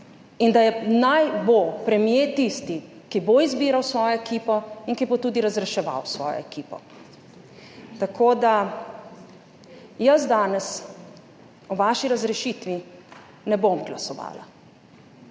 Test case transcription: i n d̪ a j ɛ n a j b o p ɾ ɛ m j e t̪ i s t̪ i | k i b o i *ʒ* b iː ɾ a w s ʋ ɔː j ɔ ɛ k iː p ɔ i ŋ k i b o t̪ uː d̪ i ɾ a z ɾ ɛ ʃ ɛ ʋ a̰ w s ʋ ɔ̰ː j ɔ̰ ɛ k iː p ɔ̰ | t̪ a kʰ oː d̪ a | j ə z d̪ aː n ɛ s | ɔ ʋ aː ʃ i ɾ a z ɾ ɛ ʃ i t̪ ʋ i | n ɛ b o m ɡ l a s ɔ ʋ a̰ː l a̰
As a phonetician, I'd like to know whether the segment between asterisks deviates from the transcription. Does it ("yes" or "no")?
yes